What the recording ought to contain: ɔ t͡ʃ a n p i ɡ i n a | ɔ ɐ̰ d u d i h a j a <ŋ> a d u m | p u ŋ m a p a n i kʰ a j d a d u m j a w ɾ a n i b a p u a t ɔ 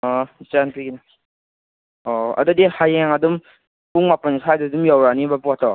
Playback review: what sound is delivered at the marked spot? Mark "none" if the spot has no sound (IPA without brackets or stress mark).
ŋ